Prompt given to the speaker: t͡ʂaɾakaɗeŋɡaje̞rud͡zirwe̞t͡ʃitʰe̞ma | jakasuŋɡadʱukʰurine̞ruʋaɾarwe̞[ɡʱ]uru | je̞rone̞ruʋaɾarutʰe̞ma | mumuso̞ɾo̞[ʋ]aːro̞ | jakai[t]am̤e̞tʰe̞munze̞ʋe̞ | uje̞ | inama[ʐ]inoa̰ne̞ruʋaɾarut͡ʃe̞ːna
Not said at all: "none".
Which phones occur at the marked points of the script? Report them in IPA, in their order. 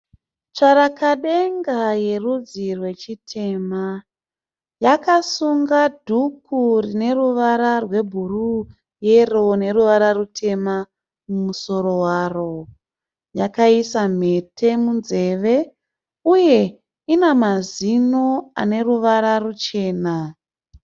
bʱ, w, s, z

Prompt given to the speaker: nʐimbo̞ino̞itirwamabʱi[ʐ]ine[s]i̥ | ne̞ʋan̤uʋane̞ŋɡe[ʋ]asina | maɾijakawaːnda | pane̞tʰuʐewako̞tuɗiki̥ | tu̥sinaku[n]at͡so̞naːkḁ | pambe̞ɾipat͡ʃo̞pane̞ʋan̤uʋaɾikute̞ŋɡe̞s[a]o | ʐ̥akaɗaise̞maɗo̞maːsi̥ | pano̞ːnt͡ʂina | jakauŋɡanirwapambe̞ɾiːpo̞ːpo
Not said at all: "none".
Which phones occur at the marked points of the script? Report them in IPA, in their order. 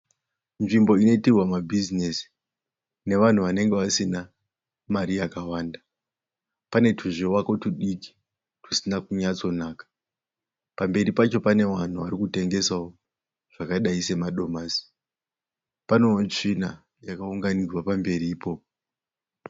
z, s, ʋ, ɲ, a

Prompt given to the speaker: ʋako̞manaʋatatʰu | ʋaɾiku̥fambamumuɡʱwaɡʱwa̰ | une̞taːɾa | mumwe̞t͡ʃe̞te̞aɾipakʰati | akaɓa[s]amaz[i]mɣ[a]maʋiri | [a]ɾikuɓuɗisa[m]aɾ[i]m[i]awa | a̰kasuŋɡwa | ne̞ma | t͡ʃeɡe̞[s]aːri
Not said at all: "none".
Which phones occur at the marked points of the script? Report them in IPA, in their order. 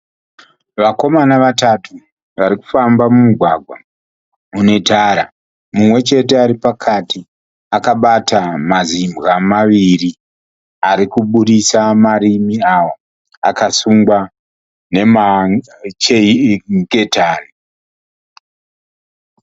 t, i, a, a, m, i, i, t

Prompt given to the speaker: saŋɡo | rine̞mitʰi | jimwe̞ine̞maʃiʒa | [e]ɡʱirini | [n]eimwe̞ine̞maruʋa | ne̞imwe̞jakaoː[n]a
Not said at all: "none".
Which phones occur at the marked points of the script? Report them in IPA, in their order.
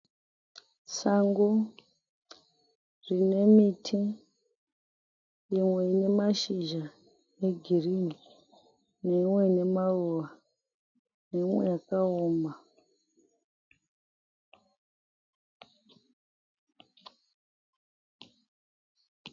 e, n, m

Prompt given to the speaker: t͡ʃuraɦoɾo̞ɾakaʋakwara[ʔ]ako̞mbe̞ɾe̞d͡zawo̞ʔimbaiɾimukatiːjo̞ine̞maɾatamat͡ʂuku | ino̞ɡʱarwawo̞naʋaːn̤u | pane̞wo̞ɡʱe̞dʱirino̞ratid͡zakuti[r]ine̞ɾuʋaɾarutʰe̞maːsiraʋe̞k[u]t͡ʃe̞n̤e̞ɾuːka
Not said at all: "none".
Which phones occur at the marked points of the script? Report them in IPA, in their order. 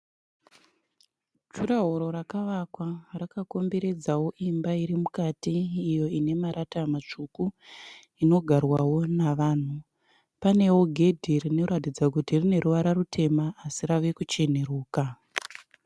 k, r, u

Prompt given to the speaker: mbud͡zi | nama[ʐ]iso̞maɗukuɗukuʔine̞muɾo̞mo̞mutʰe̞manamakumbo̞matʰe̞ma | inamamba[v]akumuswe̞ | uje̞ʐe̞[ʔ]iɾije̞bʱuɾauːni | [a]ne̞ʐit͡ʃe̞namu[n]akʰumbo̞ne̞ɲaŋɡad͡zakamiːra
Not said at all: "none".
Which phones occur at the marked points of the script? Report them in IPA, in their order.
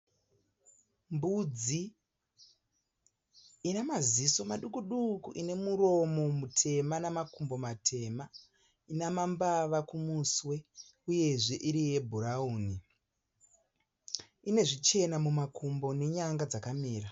z, ʋ, ʔ, i, m

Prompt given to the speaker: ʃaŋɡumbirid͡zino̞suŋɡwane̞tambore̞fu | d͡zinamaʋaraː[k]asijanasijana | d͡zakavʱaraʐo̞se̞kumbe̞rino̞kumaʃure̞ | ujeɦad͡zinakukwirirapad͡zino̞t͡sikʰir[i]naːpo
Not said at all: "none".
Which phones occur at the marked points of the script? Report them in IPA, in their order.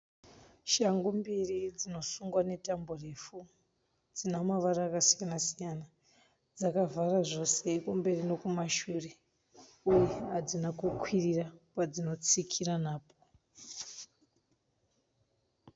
k, a

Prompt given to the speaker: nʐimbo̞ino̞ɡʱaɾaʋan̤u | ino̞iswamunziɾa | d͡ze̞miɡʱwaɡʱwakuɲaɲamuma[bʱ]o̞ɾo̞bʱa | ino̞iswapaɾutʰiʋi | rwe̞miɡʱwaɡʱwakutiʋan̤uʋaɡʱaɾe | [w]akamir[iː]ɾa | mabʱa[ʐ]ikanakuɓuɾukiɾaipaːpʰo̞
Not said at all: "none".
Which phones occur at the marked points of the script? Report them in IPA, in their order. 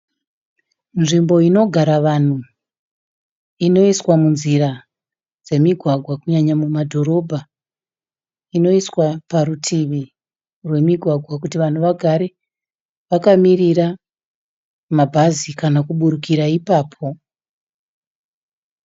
dʱ, ʋ, i, z

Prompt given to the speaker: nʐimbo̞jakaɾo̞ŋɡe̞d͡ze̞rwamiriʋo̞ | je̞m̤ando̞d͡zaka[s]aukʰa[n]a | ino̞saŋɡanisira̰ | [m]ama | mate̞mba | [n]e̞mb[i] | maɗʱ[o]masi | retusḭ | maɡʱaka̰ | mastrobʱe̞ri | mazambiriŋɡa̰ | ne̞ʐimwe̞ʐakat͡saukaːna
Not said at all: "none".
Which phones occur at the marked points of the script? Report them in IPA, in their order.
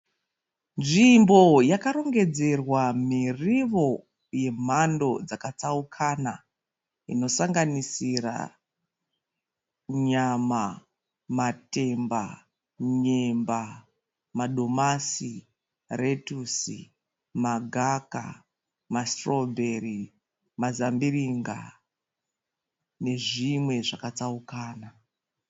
t͡s, n, ɲ, ɲ, a, o

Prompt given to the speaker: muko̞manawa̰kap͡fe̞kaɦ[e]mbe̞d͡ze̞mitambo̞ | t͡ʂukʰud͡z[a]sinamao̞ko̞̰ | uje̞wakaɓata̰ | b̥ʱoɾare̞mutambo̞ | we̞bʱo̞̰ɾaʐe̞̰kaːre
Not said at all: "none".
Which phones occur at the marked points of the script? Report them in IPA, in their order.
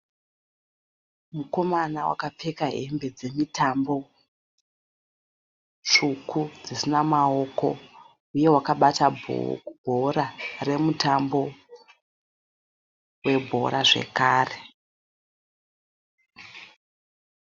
e, i

